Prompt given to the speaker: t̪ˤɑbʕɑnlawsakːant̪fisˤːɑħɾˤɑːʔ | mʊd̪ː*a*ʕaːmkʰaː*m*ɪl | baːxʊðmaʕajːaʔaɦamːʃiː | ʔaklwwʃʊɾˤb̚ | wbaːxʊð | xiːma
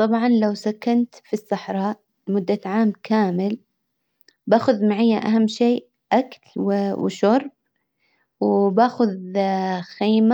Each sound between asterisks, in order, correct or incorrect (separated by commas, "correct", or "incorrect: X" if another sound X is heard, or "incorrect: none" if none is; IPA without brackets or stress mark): correct, correct